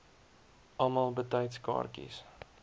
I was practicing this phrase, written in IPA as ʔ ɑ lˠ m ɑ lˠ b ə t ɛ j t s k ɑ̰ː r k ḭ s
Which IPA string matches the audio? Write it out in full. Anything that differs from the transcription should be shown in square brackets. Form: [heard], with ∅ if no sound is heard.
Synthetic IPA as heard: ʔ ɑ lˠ m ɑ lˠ b ə t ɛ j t s k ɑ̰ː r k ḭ s